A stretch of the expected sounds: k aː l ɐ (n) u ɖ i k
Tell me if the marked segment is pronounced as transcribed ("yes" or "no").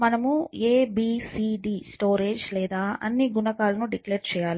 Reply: yes